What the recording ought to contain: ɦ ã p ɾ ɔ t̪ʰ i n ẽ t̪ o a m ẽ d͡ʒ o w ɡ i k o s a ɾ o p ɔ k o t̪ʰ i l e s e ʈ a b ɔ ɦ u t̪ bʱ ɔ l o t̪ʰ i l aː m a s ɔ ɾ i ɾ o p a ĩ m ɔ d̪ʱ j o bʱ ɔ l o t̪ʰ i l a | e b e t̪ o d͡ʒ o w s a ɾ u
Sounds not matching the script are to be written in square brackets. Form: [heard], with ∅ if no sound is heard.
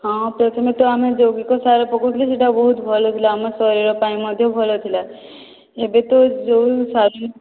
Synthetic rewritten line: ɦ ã p ɾ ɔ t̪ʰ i [m] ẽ t̪ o a m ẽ d͡ʒ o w ɡ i k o s a ɾ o p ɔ k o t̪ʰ i l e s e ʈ a b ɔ ɦ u t̪ bʱ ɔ l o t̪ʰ i l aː m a s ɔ ɾ i ɾ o p a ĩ m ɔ d̪ʱ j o bʱ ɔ l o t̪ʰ i l a | e b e t̪ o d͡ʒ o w s a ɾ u